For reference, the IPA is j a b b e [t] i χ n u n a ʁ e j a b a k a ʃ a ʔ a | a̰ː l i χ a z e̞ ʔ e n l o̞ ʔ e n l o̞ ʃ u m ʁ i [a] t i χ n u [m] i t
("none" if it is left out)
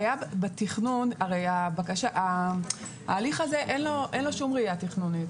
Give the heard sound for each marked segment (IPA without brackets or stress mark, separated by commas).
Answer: t, a, n